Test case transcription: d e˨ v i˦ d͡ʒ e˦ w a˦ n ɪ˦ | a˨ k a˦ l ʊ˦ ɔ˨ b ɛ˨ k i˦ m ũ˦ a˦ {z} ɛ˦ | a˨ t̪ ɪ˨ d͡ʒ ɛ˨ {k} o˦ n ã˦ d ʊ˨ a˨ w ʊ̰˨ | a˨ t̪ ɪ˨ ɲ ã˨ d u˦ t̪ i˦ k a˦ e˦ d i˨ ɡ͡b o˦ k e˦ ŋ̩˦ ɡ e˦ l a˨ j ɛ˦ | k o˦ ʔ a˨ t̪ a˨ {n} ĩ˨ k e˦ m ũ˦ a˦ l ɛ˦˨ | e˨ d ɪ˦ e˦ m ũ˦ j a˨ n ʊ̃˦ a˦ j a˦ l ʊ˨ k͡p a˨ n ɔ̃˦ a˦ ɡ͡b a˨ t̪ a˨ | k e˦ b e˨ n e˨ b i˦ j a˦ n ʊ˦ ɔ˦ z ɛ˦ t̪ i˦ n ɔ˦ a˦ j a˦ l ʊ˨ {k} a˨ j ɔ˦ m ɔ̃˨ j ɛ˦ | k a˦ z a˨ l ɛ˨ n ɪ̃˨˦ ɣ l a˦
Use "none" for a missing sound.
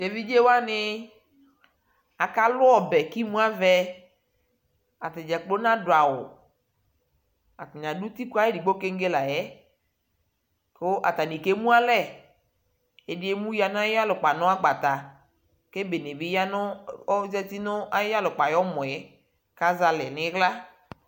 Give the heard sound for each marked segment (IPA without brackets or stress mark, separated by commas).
v, k͡p, n, k͡p